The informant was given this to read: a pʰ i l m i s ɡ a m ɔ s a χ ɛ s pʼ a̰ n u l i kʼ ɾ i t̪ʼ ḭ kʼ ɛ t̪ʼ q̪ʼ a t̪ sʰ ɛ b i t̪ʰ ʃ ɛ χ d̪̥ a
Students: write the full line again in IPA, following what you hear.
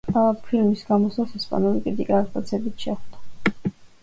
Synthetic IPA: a pʰ i l m i s ɡ a m ɔ s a s ɛ s pʼ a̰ n u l i kʼ ɾ i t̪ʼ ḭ kʼ a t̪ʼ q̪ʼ a t̪ sʰ ɛ b i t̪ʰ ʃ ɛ χ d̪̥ a